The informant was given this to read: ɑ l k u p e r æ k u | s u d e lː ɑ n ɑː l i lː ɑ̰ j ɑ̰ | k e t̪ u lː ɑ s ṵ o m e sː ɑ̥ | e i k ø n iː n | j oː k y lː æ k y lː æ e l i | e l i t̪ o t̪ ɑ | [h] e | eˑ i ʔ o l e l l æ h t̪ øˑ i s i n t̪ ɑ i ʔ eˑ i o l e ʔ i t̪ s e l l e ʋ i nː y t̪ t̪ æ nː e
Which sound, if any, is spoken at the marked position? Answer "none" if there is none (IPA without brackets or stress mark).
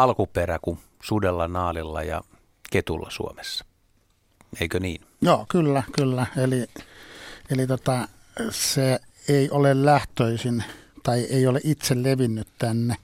s